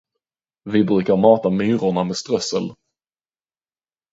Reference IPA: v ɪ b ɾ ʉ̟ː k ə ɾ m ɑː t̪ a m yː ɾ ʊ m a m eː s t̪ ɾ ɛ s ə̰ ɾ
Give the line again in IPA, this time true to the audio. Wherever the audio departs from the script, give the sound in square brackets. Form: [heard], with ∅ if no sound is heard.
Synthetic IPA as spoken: v ɪ b ɾ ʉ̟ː k [a] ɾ m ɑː t̪ a m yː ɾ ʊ [ɳ] a m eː s t̪ ɾ [œ] s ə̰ [l]